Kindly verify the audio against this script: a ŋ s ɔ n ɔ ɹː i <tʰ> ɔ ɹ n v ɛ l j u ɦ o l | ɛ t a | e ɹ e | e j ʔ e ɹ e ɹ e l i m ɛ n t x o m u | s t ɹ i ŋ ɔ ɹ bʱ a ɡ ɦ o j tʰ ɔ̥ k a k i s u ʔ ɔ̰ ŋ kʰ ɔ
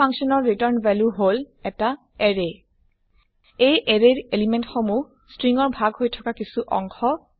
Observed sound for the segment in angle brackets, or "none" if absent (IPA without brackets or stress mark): t